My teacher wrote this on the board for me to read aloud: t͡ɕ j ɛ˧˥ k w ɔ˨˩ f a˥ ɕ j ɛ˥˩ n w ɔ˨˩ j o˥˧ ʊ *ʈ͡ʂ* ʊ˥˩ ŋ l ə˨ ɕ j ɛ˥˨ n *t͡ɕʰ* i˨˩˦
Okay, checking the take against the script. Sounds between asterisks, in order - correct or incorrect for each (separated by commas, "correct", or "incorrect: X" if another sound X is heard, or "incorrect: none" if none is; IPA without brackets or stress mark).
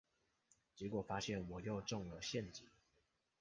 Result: correct, incorrect: t͡ɕ